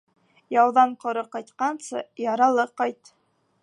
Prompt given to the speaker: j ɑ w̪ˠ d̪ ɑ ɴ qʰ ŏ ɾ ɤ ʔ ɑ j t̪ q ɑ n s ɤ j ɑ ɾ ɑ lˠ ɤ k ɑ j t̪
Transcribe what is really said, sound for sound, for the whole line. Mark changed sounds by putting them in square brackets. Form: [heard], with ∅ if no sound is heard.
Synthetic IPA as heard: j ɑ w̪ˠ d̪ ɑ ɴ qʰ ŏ ɾ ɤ [q] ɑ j t̪ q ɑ n s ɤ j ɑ ɾ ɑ lˠ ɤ [q] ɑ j t̪